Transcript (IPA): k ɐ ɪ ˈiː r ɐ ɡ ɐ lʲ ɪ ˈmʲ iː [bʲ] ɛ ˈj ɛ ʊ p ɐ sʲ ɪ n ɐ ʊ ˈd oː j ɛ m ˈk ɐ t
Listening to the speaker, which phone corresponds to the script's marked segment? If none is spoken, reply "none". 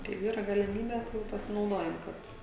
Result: bʲ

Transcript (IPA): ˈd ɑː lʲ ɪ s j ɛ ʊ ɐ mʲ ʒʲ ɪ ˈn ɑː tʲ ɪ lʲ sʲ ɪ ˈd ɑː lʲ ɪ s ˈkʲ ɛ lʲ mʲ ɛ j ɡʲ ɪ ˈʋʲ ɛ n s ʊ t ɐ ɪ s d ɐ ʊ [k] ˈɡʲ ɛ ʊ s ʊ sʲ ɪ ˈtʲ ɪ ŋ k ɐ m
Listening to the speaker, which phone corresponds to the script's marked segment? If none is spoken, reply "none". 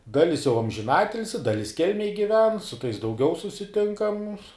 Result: none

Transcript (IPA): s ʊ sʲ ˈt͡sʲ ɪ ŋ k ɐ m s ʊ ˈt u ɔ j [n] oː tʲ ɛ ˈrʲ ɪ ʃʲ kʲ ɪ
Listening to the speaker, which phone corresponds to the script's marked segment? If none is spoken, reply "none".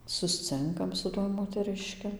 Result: m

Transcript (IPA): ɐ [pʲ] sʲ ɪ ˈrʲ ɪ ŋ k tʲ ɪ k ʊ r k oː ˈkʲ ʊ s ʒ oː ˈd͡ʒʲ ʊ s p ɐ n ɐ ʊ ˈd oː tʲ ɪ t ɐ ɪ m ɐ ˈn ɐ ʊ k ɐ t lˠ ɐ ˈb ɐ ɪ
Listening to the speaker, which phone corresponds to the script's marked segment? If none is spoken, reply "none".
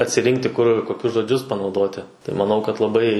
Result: tʲ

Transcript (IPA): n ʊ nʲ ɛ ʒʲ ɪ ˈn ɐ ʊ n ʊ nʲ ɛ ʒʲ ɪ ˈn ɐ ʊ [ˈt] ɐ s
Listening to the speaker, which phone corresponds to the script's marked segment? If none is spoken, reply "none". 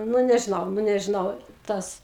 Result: t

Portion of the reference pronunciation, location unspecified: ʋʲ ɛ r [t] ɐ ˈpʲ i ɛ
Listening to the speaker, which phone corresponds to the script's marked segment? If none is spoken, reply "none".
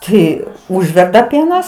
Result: d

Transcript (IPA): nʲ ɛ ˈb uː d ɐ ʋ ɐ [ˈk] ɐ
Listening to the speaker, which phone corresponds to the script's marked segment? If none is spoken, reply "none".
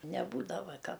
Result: k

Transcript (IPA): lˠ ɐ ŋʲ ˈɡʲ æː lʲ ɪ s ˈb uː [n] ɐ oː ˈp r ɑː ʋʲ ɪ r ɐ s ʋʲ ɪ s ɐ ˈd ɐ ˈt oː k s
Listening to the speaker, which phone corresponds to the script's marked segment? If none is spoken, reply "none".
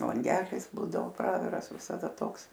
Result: d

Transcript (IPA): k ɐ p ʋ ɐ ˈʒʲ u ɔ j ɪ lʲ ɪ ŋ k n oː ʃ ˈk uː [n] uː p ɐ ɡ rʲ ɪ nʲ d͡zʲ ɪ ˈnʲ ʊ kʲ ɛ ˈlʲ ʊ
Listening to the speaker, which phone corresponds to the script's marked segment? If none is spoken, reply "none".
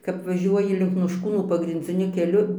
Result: n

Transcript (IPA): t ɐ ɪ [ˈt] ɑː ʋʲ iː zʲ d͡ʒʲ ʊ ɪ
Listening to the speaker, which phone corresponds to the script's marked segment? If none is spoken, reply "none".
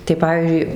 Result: p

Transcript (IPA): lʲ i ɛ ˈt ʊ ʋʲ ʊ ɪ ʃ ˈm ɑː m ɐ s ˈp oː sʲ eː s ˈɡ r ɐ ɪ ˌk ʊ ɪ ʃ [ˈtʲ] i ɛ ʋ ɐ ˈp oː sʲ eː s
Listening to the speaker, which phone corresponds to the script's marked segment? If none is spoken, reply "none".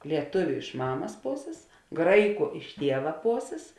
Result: tʲ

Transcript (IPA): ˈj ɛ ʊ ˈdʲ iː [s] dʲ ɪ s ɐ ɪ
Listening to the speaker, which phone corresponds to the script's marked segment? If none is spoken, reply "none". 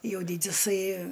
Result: none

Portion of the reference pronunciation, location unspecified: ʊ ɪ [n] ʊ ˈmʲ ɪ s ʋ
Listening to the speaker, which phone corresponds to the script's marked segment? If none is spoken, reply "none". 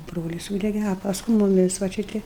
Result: m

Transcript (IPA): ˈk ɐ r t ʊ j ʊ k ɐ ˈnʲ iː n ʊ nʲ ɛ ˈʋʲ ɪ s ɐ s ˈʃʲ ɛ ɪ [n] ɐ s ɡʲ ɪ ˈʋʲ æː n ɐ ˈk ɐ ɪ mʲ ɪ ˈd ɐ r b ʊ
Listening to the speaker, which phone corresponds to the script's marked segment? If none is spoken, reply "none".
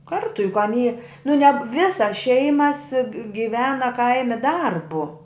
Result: m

